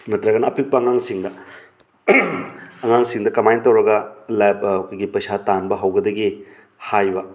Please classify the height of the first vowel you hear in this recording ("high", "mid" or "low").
low